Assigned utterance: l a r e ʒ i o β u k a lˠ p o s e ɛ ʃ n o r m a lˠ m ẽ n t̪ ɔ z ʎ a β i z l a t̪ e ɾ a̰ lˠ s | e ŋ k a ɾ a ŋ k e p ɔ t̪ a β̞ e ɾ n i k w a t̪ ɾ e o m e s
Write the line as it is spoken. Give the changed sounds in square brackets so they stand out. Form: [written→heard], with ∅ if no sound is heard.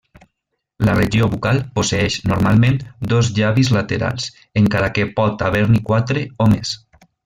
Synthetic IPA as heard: l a r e ʒ i o β u k a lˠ p o s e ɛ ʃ n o [r→ɾ] m a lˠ m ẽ n [t̪→d̪] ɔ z ʎ a β i z l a t̪ e ɾ a̰ lˠ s | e ŋ k a ɾ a [ŋ→∅] k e p ɔ t̪ a β̞ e ɾ n i k w a t̪ ɾ e o m e s